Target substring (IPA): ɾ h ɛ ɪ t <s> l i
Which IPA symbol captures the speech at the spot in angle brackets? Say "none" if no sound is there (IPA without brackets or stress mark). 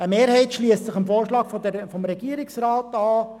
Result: ʃ